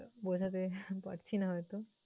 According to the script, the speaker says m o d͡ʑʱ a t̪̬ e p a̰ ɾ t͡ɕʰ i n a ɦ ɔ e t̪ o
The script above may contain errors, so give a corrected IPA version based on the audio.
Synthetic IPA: b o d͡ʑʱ a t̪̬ e p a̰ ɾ t͡ɕʰ i n a ɦ ɔ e t̪ o